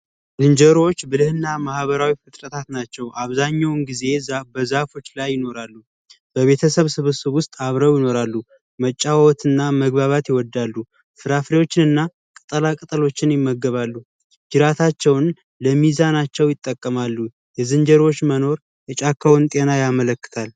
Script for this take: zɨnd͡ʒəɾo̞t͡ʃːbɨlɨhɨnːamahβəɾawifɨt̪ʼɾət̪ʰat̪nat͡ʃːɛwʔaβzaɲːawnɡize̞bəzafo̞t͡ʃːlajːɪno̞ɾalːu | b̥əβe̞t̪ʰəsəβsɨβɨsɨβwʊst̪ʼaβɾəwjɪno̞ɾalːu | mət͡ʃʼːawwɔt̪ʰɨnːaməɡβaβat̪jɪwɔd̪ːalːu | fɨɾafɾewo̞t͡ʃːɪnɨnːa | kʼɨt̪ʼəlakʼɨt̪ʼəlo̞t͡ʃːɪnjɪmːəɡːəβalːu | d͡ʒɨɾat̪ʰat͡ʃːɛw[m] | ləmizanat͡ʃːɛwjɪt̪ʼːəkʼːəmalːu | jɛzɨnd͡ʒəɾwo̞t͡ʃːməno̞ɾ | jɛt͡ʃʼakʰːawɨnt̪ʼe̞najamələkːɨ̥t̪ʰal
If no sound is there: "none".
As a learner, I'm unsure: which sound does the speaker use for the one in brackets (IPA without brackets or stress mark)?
n